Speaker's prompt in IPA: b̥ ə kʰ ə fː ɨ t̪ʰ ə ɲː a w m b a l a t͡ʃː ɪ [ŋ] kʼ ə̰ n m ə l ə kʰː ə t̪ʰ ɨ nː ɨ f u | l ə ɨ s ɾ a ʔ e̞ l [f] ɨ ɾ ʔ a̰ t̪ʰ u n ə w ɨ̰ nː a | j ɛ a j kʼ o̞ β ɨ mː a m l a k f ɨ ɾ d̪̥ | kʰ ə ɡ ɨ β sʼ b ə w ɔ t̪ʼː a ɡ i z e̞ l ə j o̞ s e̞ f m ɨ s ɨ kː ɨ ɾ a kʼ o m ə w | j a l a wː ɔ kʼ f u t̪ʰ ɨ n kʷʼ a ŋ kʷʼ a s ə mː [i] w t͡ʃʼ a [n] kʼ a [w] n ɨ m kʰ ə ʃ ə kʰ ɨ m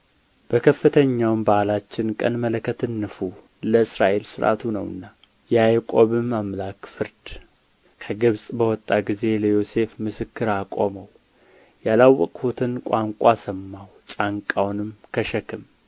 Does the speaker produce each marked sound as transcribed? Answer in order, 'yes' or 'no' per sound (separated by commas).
no, no, no, no, yes